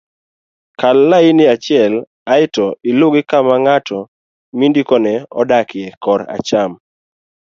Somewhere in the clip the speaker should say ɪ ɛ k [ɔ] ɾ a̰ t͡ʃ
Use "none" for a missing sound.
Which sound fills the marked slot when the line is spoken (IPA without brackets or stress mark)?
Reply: ɔ